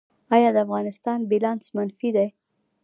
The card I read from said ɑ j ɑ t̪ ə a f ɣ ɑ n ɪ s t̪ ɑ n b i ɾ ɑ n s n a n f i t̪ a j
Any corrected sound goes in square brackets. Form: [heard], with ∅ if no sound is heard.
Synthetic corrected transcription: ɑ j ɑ [d̪] ə a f ɣ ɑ n ɪ s t̪ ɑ n b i [l] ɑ n s [m] a n f i [d̪] a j